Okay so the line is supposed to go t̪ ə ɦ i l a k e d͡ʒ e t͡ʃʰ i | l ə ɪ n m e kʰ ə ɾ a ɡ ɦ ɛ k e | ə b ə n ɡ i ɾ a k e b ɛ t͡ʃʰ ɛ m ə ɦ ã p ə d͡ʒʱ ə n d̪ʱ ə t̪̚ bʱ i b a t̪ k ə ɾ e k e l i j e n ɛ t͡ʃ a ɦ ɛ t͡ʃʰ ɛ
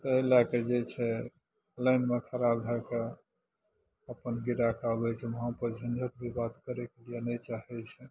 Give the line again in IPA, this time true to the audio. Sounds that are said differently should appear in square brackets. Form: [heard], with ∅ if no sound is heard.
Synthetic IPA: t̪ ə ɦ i l a k e d͡ʒ e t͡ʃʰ [ɛ] | l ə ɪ n m e kʰ ə ɾ a [b] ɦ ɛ k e | ə [p] ə n ɡ i ɾ a k [a] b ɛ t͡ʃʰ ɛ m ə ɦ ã p ə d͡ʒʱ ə n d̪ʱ ə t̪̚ bʱ i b a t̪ k ə ɾ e k e l i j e n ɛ t͡ʃ a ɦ ɛ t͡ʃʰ ɛ